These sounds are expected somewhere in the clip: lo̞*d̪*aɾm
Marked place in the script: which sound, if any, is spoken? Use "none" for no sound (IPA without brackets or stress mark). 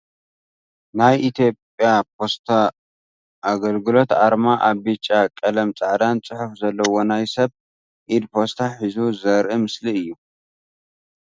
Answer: t̪